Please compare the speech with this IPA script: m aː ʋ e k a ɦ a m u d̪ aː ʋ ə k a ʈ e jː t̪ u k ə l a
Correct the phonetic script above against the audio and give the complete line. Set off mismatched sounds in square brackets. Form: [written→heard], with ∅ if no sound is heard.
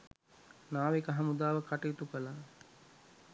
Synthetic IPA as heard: [m→n] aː ʋ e k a ɦ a m u d̪ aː ʋ ə k a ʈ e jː t̪ u k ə l a